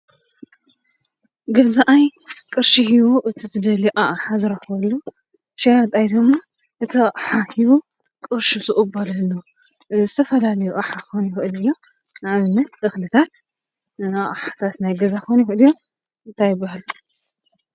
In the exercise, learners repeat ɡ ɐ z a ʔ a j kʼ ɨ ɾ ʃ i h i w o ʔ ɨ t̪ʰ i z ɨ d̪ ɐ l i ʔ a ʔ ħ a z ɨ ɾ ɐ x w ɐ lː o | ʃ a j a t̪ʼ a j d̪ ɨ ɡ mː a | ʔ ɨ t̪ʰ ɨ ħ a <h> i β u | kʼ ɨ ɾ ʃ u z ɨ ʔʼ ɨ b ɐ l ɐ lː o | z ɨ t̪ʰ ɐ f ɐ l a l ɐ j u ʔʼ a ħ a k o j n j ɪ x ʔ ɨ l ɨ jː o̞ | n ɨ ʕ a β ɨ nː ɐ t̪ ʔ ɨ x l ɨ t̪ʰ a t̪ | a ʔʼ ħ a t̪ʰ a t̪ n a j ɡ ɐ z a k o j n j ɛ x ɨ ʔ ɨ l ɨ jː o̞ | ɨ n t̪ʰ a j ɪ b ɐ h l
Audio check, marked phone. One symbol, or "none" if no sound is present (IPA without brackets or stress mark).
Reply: h